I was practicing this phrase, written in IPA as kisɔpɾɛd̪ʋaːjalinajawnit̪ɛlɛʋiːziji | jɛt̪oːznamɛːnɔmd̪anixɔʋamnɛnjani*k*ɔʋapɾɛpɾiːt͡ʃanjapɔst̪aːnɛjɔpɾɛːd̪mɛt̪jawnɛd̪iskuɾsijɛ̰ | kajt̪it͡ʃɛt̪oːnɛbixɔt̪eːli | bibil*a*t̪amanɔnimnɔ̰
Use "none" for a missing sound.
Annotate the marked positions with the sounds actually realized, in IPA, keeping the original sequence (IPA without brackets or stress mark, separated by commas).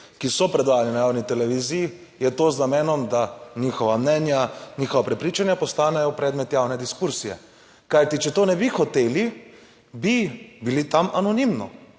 x, i